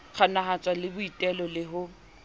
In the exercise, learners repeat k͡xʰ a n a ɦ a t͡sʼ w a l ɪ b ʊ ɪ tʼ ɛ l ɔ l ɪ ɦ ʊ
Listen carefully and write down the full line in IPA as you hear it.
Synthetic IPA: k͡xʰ a n a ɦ a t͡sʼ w a l ɪ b ʊ i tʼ ɛ l ɔ l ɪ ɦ ʊ